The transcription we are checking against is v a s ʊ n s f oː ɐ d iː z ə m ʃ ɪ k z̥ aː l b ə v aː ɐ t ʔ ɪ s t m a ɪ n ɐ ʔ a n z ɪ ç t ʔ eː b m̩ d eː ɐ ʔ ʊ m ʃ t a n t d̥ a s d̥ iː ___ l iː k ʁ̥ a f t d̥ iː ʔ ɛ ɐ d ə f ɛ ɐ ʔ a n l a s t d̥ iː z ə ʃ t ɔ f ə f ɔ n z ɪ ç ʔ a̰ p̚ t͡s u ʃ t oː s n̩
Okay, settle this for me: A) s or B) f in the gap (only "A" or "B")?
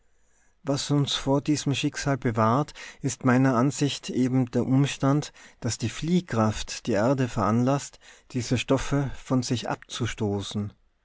B